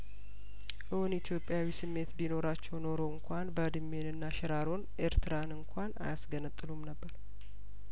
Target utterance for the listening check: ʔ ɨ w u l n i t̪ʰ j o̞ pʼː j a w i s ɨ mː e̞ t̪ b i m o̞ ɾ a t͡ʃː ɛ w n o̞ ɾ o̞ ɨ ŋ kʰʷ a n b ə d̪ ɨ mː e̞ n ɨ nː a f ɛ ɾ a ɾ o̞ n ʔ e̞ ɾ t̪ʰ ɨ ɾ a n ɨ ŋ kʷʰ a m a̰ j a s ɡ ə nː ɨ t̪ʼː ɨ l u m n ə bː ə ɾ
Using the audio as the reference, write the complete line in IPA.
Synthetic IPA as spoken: ʔ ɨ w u n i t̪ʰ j o̞ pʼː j a w i s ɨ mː e̞ t̪ b i n o̞ ɾ a t͡ʃː ɛ w n o̞ ɾ o̞ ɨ ŋ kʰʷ a n b ə d̪ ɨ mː e̞ n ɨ nː a ʃ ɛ ɾ a ɾ o̞ n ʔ e̞ ɾ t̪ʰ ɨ ɾ a n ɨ ŋ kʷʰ a n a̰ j a s ɡ ə n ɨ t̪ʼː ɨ l u m n ə bː ə ɾ

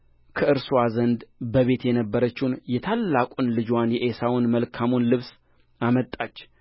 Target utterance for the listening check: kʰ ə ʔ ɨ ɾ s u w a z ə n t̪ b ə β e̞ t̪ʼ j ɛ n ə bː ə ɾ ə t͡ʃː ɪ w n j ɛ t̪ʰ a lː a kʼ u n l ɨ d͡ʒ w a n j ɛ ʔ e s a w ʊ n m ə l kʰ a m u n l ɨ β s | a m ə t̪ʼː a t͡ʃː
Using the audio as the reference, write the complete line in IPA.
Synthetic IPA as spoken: kʰ ə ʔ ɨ ɾ s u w a z ə n d̪ b ə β e̞ t̪ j ɛ n ə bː ə ɾ ə t͡ʃː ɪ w n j ɛ t̪ʰ a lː a kʼ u n l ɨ d͡ʒ w a n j ɛ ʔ e s a w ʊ n m ə l kʰ a m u n l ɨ β s | a m ə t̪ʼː a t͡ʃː

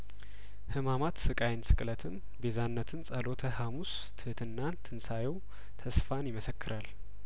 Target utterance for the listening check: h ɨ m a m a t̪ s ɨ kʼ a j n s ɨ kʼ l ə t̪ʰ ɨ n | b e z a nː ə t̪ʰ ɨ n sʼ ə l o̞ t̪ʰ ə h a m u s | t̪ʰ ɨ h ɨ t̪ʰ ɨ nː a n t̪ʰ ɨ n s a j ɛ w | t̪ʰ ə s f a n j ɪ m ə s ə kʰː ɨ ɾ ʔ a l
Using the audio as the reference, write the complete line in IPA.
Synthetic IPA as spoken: h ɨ m a m a t̪ s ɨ kʼ a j n s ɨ kʼ l ə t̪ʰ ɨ n | b e z a nː ə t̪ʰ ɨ n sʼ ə l o̞ t̪ʰ ə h a m u s | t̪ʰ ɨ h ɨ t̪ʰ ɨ nː a n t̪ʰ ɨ n s a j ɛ w | t̪ʰ ə s f a n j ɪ m ə s ə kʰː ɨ ɾ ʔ a l

